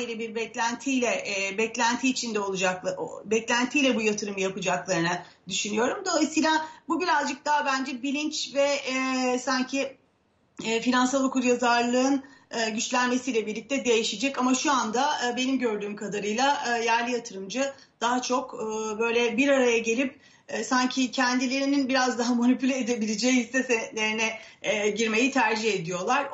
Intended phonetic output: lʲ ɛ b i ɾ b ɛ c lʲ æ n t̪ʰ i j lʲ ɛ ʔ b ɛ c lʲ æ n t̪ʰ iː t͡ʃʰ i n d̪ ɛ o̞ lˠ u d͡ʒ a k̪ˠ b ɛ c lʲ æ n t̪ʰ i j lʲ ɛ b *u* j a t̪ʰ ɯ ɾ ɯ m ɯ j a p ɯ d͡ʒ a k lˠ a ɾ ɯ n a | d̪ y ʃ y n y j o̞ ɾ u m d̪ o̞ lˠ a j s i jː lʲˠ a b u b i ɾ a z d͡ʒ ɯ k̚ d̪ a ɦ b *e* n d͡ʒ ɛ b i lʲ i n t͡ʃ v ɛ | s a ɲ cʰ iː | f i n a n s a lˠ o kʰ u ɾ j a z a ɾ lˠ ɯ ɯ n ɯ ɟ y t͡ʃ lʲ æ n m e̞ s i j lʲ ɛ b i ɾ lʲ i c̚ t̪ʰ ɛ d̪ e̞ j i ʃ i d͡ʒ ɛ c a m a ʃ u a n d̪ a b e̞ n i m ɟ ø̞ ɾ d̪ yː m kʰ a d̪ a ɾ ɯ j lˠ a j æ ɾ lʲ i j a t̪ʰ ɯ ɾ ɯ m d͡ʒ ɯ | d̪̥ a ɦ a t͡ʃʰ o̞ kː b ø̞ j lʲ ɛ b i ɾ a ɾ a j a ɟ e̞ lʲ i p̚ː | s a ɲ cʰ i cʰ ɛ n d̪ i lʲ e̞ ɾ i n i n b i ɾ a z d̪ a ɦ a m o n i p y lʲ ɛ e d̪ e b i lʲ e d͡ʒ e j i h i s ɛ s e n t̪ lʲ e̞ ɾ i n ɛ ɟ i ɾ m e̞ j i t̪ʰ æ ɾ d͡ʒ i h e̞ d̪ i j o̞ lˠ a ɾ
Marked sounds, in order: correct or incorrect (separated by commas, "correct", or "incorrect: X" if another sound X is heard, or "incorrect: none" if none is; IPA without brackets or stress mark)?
correct, incorrect: æ